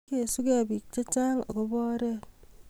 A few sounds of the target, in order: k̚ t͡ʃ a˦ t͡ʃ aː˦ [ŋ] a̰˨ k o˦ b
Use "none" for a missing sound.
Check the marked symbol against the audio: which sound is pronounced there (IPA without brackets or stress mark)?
ŋ